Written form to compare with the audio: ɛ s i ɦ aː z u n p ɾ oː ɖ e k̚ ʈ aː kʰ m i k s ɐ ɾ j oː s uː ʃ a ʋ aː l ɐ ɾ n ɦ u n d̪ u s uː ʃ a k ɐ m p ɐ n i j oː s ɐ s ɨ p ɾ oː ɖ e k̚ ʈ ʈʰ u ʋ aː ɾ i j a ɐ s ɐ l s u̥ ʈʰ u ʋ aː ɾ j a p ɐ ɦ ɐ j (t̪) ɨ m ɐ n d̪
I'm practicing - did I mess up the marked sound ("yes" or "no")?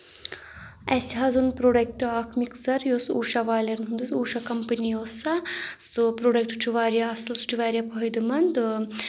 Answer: yes